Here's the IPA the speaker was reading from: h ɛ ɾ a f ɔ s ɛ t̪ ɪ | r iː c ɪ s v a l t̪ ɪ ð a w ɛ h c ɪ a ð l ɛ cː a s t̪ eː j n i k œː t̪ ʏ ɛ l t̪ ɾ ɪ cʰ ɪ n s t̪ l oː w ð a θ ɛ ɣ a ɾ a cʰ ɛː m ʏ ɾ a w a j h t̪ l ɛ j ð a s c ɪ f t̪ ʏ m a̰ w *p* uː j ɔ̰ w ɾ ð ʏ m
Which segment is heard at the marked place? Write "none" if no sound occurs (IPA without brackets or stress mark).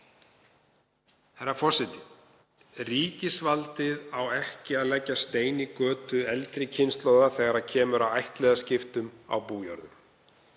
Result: p